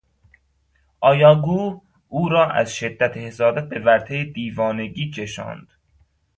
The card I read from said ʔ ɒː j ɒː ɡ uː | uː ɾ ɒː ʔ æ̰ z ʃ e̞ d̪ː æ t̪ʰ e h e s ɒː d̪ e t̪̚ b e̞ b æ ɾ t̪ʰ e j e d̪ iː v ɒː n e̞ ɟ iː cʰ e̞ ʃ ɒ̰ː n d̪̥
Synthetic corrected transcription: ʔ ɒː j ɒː ɡ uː | uː ɾ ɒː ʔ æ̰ z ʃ e̞ d̪ː æ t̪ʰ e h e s ɒː d̪ æ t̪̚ b e̞ v æ ɾ t̪ʰ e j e d̪ iː v ɒː n e̞ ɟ iː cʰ e̞ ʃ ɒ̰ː n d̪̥